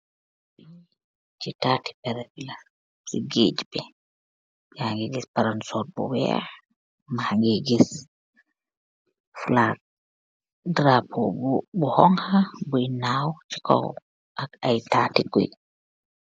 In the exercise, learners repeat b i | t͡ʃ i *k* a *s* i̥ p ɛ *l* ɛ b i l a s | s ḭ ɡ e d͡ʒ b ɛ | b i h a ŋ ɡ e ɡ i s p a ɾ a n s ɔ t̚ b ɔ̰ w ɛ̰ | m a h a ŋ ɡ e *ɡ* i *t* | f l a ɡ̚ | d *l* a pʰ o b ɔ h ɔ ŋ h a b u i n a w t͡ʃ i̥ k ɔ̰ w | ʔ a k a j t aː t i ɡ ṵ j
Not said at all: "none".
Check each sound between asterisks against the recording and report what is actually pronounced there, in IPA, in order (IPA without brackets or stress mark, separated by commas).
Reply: t, t, ɾ, ɡ, s, ɾ